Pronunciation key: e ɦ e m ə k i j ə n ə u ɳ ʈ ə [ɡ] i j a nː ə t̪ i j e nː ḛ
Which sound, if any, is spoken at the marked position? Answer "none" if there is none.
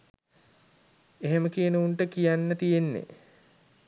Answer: k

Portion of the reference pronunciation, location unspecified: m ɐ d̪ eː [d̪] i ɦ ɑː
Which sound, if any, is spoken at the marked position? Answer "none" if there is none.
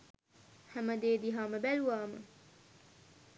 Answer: d̪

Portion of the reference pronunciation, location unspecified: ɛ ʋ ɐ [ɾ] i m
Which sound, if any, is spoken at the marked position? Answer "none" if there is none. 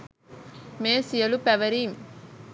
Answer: ɾ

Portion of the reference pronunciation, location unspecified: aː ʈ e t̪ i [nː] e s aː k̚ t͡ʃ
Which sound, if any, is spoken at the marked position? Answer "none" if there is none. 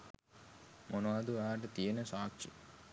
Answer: n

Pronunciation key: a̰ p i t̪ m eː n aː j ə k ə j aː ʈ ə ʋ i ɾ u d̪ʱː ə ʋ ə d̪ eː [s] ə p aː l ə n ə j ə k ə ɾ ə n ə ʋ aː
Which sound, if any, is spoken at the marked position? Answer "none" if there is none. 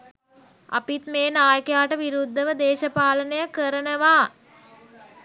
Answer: ʃ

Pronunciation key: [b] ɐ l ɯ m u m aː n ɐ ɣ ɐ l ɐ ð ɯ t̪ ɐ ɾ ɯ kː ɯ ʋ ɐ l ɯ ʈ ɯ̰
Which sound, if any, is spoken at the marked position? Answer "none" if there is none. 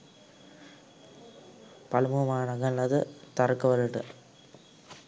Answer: p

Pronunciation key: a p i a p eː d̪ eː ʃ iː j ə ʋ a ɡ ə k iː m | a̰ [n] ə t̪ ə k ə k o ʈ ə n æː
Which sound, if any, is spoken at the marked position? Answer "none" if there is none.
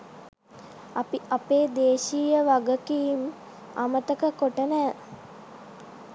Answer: m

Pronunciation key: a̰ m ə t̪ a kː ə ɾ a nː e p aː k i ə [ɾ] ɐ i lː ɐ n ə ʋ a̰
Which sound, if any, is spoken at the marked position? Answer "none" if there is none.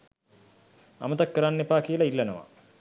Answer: l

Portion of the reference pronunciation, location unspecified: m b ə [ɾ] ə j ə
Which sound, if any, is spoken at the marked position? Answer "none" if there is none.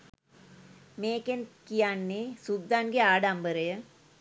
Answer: ɾ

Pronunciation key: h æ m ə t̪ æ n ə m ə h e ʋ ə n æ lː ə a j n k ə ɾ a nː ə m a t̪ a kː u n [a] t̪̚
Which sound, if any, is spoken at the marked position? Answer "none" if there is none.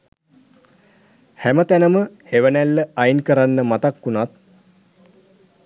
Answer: a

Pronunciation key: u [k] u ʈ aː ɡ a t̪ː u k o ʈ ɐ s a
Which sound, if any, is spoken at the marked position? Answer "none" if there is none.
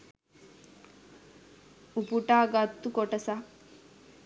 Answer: p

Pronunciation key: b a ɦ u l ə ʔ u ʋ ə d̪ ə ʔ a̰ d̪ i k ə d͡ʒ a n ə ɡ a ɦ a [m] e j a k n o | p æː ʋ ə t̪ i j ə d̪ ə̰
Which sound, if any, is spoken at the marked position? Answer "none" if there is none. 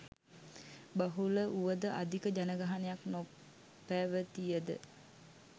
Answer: n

